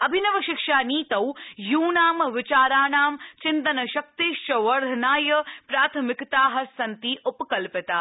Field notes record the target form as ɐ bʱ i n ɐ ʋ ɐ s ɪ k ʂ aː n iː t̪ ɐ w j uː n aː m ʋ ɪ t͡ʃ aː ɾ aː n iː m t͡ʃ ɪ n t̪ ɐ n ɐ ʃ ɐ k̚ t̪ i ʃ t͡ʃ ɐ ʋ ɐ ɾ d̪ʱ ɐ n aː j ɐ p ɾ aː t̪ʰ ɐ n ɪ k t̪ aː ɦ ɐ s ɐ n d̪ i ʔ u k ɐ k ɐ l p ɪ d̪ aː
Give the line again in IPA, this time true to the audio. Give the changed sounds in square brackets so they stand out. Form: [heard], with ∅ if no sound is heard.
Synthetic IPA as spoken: ɐ bʱ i n ɐ ʋ ɐ [ʃ] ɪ k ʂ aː n iː t̪ ɐ w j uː n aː m ʋ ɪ t͡ʃ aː ɾ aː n [aː] m t͡ʃ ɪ n t̪ ɐ n ɐ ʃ ɐ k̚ t̪ i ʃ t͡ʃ ɐ ʋ ɐ ɾ d̪ʱ ɐ n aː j ɐ p ɾ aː t̪ʰ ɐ [m] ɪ k t̪ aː ɦ ɐ s ɐ n [t̪] i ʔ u [p] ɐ k ɐ l p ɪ [t̪] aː